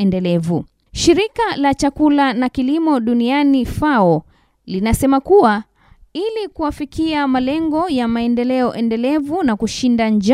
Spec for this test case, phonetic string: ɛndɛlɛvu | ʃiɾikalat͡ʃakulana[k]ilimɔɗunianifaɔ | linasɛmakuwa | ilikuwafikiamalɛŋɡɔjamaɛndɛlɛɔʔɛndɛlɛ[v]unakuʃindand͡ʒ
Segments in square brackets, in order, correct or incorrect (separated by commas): correct, correct